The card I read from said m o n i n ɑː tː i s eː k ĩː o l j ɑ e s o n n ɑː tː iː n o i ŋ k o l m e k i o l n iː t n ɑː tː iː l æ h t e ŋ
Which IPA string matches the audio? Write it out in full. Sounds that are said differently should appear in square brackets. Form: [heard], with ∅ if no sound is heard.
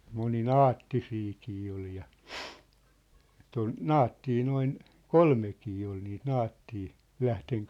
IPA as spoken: m o n i n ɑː tː i s [iː] k [iː] o l j ɑ e [t] o n n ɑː tː iː n o i [n] k o l m e k [iː] o l n iː t n ɑː tː iː l æ h t e ŋ